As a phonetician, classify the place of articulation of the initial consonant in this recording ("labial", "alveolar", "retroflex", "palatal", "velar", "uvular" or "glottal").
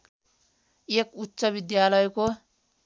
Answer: velar